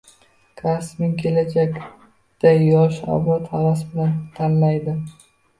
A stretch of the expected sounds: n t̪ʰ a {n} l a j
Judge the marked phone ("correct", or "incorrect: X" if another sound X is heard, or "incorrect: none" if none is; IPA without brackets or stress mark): correct